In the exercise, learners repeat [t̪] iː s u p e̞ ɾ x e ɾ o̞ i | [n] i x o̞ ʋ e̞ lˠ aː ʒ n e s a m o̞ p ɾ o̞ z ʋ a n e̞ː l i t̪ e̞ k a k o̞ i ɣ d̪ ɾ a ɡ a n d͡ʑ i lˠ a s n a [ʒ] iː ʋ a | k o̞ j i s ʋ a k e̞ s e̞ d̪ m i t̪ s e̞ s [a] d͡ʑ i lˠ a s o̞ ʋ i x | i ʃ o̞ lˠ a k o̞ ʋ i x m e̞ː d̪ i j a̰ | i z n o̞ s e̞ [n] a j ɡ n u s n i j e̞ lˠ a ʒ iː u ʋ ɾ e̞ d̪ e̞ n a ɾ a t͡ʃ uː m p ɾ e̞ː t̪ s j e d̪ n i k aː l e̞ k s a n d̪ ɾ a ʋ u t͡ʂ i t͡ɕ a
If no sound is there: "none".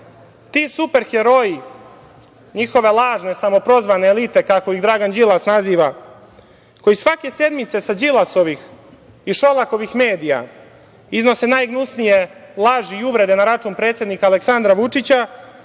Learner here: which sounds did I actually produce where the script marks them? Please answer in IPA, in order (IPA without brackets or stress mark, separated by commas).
t̪, ɲ, z, a, n